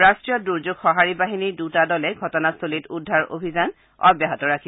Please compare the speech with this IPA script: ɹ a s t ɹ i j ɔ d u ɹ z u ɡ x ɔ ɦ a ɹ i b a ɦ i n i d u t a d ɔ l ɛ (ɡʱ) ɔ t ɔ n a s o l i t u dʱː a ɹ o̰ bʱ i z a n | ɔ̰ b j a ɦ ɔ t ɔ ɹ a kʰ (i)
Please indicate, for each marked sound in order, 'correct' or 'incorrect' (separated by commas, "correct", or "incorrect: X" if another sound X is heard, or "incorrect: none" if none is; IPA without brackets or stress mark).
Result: correct, correct